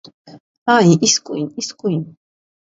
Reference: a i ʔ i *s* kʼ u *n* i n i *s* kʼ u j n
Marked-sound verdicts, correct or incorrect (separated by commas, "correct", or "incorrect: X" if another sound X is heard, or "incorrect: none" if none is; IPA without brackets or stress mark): correct, incorrect: none, correct